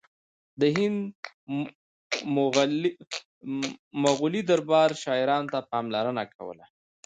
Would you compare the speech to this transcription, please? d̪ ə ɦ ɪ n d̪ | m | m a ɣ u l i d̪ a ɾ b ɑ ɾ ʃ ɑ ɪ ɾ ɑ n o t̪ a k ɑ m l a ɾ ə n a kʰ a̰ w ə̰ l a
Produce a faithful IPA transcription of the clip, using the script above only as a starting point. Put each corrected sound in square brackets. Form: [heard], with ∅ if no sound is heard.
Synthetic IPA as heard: d̪ ə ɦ ɪ n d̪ | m | m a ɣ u l i d̪ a ɾ b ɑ ɾ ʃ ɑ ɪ ɾ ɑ n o t̪ a [p] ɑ m l a ɾ ə n a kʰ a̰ w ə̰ l a